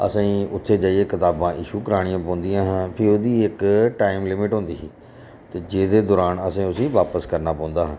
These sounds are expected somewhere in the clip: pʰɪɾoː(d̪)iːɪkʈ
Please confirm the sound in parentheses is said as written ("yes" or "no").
yes